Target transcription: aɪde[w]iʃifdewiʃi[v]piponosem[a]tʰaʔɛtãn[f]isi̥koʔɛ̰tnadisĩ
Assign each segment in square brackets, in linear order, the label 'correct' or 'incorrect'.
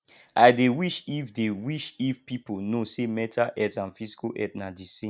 correct, incorrect, incorrect, correct

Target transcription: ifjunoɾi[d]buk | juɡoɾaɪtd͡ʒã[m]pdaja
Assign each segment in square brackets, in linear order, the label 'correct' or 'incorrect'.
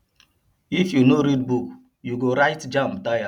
correct, correct

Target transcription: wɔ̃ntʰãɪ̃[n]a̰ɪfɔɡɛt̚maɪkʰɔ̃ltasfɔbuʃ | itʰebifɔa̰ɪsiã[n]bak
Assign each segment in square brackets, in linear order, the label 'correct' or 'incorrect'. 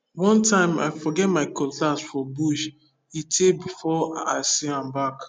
incorrect, incorrect

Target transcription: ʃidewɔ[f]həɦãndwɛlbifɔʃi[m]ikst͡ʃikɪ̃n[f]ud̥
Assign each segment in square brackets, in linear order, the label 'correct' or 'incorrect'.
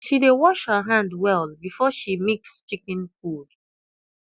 incorrect, correct, correct

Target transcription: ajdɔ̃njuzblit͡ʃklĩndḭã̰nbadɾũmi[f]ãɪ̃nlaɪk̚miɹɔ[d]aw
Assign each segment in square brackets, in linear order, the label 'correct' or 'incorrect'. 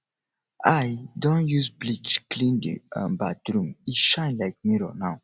incorrect, incorrect

